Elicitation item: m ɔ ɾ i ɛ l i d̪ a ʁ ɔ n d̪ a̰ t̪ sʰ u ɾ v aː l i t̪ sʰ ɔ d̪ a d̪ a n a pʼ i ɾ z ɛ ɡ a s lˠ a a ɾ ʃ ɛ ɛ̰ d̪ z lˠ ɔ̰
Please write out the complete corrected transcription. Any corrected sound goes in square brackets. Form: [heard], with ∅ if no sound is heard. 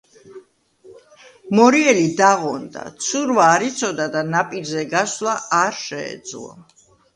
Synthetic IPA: m ɔ ɾ i ɛ l i d̪ a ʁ ɔ n d̪ a̰ t̪ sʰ u ɾ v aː [ɾ] i t̪ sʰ ɔ d̪ a d̪ a n a pʼ i ɾ z ɛ ɡ a s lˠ a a ɾ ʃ ɛ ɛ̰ d̪ z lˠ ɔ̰

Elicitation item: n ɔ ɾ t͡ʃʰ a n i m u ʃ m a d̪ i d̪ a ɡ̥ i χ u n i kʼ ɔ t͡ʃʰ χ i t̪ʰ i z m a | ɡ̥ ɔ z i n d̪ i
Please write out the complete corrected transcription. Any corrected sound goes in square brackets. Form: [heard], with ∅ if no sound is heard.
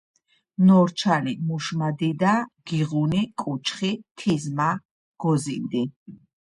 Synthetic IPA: n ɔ ɾ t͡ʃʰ a n i m u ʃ m a d̪ i d̪ a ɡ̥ i [ʁ] u n i kʼ [u] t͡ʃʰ χ i t̪ʰ i z m a | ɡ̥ ɔ z i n d̪ i

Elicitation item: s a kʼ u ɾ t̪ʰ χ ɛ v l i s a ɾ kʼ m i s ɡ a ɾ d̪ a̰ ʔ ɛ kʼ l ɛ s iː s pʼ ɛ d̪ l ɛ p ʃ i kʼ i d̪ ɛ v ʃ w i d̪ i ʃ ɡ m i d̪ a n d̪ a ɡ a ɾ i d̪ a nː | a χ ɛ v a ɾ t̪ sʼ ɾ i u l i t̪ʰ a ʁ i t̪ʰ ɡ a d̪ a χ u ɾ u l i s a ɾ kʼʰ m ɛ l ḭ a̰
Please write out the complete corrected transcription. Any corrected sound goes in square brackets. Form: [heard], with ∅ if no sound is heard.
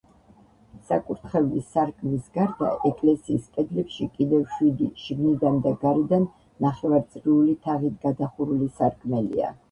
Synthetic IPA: s a kʼ u ɾ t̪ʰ χ ɛ v l i s a ɾ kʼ m i s ɡ a ɾ d̪ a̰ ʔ ɛ kʼ l ɛ s iː s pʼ ɛ d̪ l ɛ p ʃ i kʼ i d̪ ɛ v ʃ w i d̪ i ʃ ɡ [n] i d̪ a n d̪ a ɡ a ɾ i d̪ a nː | a χ ɛ v a ɾ t̪ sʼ ɾ i u l i t̪ʰ a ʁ i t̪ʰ ɡ a d̪ a χ u ɾ u l i s a ɾ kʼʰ m ɛ l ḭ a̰

